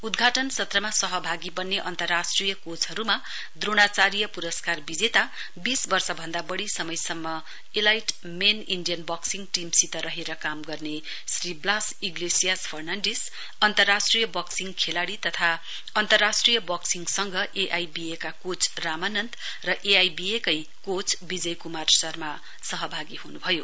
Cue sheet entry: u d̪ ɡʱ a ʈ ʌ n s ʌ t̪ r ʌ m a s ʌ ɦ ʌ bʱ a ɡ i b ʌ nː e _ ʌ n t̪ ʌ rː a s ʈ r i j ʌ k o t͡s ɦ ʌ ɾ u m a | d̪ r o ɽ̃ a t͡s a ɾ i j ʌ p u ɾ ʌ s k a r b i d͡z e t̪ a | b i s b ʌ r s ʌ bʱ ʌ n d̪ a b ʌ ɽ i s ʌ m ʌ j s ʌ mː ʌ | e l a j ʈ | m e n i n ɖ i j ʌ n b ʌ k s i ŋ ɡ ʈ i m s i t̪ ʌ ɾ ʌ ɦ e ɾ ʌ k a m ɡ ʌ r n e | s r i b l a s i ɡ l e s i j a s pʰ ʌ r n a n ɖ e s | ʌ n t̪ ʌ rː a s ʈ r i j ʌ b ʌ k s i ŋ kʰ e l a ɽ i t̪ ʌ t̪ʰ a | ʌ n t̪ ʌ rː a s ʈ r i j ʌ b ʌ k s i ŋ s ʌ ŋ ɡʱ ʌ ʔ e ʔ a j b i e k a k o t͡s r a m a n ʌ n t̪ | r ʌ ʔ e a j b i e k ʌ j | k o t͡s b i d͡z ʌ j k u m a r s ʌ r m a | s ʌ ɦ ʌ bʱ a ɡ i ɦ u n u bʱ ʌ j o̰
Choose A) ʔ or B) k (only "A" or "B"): A